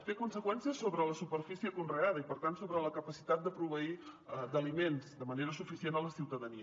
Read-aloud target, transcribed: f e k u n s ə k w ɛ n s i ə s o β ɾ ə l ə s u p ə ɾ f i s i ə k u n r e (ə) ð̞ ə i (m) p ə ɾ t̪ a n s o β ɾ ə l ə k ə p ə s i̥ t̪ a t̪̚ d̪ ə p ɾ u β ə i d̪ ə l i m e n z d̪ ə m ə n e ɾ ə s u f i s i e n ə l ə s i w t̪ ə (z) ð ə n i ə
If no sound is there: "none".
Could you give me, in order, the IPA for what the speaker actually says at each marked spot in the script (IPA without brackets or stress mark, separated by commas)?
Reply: a, none, none